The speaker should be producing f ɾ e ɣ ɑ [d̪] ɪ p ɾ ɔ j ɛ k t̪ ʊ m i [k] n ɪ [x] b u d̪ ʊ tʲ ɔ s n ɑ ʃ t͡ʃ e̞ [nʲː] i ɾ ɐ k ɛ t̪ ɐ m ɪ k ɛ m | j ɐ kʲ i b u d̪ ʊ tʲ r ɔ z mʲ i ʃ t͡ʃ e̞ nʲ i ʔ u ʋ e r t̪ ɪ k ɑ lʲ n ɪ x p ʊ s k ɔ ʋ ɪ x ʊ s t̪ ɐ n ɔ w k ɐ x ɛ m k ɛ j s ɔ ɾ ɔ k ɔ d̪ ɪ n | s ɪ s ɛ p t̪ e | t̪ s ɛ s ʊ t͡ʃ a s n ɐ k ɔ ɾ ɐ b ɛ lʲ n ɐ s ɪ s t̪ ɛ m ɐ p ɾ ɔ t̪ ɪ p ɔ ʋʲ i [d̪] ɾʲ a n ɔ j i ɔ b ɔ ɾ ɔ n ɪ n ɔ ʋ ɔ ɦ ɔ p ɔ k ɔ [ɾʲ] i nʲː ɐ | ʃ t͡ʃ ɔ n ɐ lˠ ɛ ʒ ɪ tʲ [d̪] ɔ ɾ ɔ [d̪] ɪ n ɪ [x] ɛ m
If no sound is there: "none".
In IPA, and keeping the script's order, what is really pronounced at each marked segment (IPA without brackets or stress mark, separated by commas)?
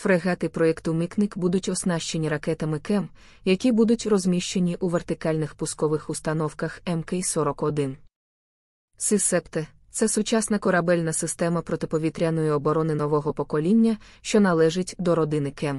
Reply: t̪, k, k, nʲ, t̪, lʲ, d̪, d̪, k